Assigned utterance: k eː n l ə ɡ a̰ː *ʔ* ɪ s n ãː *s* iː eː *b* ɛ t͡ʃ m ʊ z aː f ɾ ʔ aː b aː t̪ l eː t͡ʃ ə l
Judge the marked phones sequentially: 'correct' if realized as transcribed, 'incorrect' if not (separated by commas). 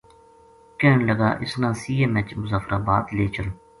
correct, correct, incorrect